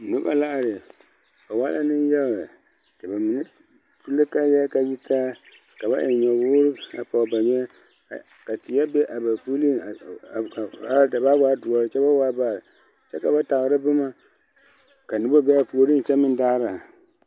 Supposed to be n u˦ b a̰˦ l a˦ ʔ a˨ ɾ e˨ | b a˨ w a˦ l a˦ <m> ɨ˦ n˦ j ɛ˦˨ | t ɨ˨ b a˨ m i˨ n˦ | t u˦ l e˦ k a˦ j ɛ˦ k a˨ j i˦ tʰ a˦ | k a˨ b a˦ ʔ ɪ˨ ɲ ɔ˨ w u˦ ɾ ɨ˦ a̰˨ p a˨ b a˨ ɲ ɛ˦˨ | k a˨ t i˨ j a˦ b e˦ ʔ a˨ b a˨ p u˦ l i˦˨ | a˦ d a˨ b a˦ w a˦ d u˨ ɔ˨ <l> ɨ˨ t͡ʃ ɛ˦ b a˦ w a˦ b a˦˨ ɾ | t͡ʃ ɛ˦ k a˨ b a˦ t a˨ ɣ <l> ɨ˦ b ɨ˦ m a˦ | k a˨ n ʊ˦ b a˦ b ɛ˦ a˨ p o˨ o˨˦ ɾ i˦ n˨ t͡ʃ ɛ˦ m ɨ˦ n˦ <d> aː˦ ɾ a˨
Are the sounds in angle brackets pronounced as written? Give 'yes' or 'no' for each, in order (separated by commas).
no, no, no, yes